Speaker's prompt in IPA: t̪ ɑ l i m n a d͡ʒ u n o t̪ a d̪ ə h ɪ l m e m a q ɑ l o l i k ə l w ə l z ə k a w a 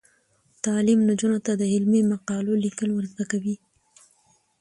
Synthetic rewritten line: t̪ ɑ l i m n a d͡ʒ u n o t̪ a d̪ ə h ɪ l m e m a q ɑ l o l i k ə l w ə ɾ z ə k a w i